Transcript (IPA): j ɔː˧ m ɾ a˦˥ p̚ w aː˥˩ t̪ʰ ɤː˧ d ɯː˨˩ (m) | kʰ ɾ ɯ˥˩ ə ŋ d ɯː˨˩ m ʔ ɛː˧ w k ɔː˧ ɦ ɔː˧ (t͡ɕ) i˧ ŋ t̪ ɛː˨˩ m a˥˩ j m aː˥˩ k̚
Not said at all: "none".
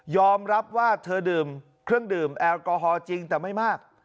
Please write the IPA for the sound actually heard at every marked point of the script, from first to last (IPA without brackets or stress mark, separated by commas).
m, t͡ɕ